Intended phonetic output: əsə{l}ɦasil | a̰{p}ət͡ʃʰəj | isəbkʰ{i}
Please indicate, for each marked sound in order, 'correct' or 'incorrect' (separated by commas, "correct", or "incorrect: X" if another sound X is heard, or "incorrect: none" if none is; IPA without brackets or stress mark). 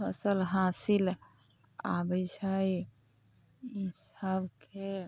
correct, incorrect: b, incorrect: e